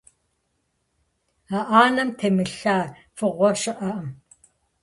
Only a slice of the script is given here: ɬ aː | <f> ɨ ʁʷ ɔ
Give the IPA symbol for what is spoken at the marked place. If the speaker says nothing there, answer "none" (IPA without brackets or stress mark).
f